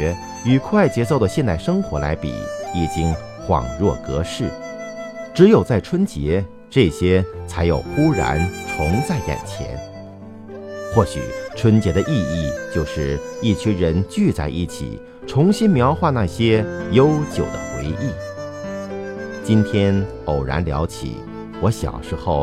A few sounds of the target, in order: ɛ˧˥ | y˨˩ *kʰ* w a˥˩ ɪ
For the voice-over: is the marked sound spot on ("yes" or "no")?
yes